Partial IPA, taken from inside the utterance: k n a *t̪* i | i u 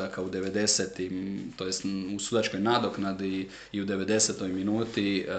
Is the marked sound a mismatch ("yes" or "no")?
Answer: yes